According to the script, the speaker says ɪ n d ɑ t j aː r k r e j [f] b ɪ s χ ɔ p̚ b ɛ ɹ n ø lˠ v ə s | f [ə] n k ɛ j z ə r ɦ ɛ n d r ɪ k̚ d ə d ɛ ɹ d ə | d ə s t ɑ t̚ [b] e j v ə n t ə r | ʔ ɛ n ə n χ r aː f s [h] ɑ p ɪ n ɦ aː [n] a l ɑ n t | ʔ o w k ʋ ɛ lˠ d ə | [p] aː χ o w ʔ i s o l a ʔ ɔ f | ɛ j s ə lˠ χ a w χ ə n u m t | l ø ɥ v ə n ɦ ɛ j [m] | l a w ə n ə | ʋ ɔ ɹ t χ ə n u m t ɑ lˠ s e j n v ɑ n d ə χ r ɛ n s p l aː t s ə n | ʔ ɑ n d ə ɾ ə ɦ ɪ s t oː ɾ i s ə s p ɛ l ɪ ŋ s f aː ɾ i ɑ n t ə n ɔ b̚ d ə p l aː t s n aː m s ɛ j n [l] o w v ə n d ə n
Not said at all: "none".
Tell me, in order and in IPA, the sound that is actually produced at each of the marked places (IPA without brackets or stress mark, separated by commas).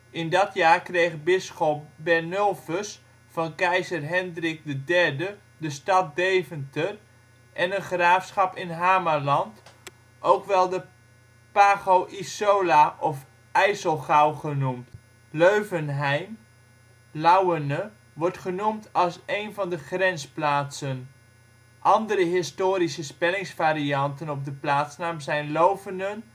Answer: χ, ɑ, d, χ, m, p, m, l